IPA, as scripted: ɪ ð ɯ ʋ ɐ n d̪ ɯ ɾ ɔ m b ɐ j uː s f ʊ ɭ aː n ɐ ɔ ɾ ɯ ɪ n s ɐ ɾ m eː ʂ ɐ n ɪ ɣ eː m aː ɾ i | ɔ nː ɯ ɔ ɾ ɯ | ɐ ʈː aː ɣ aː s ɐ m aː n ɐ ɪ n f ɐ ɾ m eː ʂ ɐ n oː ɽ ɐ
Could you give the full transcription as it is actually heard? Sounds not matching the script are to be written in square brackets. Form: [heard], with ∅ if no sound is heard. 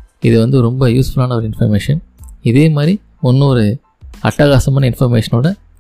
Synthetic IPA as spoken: ɪ ð ɯ ʋ ɐ n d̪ ɯ ɾ ɔ m b ɐ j uː s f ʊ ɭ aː n ɐ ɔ ɾ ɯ ɪ n [f] ɐ ɾ m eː ʂ ɐ n ɪ [ð] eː m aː ɾ i | ɔ nː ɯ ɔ ɾ ɯ | ɐ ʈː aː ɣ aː s ɐ m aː n ɐ ɪ n f ɐ ɾ m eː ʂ ɐ n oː ɽ ɐ